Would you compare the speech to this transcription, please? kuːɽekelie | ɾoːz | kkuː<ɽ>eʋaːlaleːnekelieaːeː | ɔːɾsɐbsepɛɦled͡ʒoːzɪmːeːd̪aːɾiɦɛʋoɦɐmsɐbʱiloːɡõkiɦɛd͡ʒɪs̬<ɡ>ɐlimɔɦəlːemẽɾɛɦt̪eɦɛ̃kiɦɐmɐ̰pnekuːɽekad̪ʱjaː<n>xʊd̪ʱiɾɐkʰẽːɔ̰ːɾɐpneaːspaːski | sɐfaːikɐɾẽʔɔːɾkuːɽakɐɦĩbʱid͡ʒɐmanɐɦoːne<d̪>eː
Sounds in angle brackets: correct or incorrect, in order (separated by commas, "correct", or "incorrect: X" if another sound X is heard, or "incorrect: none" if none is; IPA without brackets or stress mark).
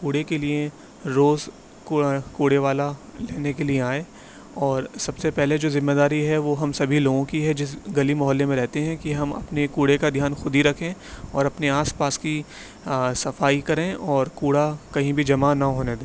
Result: correct, correct, correct, correct